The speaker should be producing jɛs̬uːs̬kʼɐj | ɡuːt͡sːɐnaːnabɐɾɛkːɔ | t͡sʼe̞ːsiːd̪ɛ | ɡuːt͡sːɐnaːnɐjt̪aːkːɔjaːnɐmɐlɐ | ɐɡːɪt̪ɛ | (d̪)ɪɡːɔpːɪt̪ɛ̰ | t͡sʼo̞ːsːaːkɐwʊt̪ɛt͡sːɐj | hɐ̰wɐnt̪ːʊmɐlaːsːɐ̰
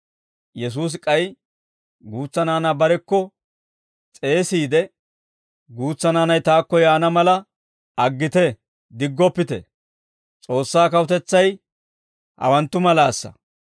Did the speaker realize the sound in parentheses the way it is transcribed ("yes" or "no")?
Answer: yes